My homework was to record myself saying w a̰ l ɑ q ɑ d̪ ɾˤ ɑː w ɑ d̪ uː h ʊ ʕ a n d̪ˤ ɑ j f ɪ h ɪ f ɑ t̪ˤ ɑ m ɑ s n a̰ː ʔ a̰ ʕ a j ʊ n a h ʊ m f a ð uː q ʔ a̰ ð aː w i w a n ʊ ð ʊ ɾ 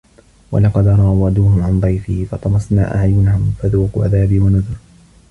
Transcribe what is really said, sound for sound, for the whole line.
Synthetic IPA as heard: w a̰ l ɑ q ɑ d̪ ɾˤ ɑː w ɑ d̪ uː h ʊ ʕ a n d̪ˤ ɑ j f ɪ h ɪ f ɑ t̪ˤ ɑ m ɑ s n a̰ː ʔ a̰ ʕ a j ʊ n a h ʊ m f a ð uː q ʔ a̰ ð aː b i w a n ʊ ð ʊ ɾ